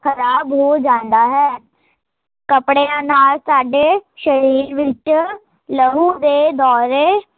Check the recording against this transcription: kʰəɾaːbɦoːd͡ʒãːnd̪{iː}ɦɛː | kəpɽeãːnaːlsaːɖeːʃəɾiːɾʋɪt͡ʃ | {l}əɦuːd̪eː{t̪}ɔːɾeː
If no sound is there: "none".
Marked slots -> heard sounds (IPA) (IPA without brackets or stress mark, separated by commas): aː, l, d̪